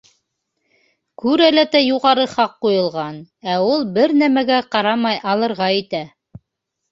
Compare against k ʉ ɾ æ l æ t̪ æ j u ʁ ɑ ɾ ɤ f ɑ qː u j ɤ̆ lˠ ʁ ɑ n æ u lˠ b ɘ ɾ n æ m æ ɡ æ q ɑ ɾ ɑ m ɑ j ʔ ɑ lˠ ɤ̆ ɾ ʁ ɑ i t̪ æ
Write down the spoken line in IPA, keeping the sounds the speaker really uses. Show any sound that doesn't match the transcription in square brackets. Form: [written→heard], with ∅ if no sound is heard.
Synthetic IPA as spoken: k ʉ ɾ æ l æ t̪ æ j u ʁ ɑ ɾ ɤ [f→χ] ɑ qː u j ɤ̆ lˠ ʁ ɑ n æ u lˠ b ɘ ɾ n æ m æ ɡ æ q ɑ ɾ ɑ m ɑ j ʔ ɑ lˠ ɤ̆ ɾ ʁ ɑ i t̪ æ

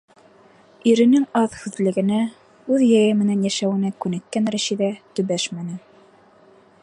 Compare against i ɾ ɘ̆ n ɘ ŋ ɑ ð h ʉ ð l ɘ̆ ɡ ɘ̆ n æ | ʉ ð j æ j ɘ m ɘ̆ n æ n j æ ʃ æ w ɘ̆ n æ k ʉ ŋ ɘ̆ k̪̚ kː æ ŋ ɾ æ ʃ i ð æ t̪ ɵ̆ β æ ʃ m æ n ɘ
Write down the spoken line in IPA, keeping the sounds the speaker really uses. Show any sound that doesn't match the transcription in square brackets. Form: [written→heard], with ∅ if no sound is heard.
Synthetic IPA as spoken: i ɾ ɘ̆ n ɘ ŋ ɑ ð h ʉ ð l ɘ̆ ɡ ɘ̆ n æ | ʉ ð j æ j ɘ m ɘ̆ n æ n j æ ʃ æ w ɘ̆ n æ k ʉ [ŋ→n] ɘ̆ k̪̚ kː æ [ŋ→n] ɾ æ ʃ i ð æ t̪ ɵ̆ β æ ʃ m æ n ɘ

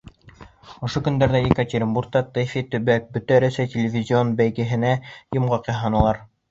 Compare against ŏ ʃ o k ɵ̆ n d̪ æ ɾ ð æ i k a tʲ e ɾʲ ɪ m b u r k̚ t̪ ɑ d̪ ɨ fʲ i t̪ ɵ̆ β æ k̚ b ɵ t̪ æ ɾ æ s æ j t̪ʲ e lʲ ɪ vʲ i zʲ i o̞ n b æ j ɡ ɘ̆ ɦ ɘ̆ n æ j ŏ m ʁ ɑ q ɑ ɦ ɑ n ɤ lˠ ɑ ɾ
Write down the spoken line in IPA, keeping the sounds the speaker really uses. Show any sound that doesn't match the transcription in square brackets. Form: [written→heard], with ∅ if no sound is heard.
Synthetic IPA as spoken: ŏ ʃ o k ɵ̆ n d̪ æ ɾ ð æ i k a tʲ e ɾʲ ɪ m b u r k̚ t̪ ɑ [d̪→t̪] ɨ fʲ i t̪ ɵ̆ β æ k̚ b ɵ t̪ æ ɾ æ s æ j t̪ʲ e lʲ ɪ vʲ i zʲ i o̞ n b æ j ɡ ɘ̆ ɦ ɘ̆ n æ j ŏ m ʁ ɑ q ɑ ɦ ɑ n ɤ lˠ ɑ ɾ

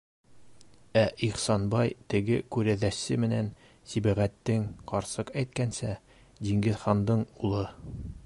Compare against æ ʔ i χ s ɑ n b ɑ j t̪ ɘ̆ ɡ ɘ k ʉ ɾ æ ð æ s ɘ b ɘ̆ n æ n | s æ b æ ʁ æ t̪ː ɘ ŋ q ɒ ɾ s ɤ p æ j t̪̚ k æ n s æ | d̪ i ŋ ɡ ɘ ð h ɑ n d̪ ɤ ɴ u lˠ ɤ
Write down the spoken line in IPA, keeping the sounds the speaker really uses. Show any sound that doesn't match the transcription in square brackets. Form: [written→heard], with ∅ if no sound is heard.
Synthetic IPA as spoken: æ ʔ i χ s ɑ n b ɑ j t̪ ɘ̆ ɡ ɘ k ʉ ɾ æ ð æ s ɘ [b→m] ɘ̆ n æ n | s [æ→i] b æ ʁ æ t̪ː ɘ ŋ q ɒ ɾ s ɤ [p→q] æ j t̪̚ k æ n s æ | d̪ i ŋ ɡ ɘ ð [h→χ] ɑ n d̪ ɤ ɴ u lˠ ɤ

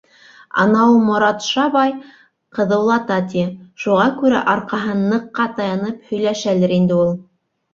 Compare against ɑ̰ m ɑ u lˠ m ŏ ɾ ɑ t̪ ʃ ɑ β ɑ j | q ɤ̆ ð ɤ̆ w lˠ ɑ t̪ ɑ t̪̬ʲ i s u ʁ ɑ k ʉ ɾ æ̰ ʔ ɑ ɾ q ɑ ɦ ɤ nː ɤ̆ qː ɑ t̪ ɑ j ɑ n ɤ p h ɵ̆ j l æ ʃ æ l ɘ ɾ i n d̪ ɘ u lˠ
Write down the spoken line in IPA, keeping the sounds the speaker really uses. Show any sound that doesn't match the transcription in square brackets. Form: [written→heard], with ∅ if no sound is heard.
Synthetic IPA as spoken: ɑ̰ [m→n] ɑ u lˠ m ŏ ɾ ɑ t̪ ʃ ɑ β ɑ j | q ɤ̆ ð ɤ̆ w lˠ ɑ t̪ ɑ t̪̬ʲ i [s→ʃ] u ʁ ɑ k ʉ ɾ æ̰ ʔ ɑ ɾ q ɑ ɦ ɤ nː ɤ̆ qː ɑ t̪ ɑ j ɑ n ɤ p h ɵ̆ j l æ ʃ æ l ɘ ɾ i n d̪ ɘ u lˠ

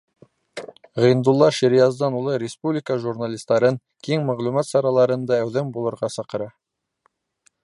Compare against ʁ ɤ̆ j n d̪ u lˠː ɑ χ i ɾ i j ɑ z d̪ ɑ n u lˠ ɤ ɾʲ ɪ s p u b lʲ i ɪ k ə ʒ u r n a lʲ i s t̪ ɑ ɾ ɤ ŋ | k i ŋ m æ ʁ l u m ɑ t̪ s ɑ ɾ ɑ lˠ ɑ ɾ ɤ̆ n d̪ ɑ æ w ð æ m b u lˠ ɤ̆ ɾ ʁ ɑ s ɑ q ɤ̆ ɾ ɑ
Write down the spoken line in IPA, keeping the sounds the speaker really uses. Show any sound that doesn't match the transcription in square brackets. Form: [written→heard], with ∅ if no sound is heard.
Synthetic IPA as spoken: ʁ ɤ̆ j n d̪ u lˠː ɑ [χ→ʃ] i ɾ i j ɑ z d̪ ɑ n u lˠ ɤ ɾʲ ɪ s p u b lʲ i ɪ k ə ʒ u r n a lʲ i s t̪ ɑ ɾ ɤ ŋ | k i ŋ m æ ʁ l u m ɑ t̪ s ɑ ɾ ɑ lˠ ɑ ɾ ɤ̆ n d̪ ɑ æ w ð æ m b u lˠ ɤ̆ ɾ ʁ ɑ s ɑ q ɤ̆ ɾ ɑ

